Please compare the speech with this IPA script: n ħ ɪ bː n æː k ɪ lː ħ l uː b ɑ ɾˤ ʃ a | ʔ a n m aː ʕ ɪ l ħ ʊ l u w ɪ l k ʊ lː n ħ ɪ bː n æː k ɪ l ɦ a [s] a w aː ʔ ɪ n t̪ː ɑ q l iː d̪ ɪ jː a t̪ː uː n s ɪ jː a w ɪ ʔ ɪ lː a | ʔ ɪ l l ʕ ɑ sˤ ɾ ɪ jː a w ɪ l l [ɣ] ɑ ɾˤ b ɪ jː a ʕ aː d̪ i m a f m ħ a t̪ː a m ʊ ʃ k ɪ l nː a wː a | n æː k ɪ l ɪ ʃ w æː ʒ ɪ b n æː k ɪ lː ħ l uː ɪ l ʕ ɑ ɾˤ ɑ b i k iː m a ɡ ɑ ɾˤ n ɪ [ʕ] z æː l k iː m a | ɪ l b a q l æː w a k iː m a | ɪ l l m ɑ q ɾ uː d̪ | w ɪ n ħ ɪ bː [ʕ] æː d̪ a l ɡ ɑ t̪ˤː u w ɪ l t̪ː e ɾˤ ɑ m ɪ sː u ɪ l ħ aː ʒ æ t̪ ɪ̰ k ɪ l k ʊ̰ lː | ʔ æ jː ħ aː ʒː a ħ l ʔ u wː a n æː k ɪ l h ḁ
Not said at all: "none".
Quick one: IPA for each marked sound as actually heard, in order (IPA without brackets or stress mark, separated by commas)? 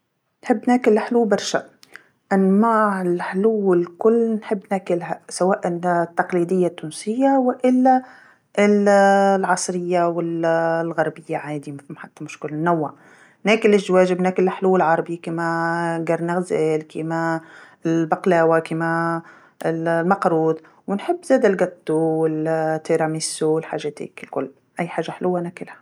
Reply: s, ɣ, ɣ, z